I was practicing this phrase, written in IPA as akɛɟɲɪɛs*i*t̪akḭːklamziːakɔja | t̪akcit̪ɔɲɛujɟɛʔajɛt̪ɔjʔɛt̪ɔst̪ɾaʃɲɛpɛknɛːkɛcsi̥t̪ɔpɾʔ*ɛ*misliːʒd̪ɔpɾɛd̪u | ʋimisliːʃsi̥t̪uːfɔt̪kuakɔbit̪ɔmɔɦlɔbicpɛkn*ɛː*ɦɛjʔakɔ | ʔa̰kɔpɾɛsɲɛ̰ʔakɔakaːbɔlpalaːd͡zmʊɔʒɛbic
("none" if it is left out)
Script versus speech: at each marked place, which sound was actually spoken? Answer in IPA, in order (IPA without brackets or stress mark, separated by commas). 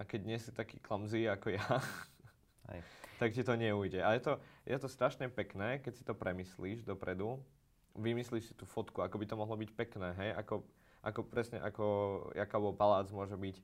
i, ɛ, ɛː